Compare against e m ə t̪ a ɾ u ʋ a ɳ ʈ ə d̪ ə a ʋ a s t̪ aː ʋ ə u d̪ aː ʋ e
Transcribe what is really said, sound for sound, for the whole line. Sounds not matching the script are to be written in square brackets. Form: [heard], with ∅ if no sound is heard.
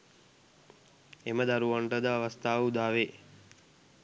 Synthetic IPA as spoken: e m ə [d̪] a ɾ u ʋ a ɳ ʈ ə d̪ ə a ʋ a s t̪ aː ʋ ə u d̪ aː ʋ e